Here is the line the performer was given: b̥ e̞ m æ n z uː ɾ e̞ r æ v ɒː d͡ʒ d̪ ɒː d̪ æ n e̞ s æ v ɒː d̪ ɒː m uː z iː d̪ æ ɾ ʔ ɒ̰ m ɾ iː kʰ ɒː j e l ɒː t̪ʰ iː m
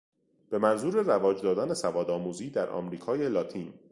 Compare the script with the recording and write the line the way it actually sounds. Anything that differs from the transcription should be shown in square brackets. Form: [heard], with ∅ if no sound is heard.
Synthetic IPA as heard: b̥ e̞ m æ n z uː ɾ e̞ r æ v ɒː d͡ʒ d̪ ɒː d̪ æ n e̞ s æ v ɒː d̪ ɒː m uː z iː d̪ æ ɾ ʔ ɒ̰ m ɾ iː kʰ ɒː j e l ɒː t̪ʰ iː [n]